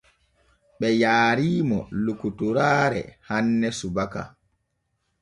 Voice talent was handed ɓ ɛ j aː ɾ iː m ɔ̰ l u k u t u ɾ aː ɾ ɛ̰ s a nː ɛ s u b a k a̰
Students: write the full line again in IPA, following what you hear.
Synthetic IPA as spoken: ɓ ɛ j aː ɾ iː m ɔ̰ l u k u t u ɾ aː ɾ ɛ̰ h a nː ɛ s u b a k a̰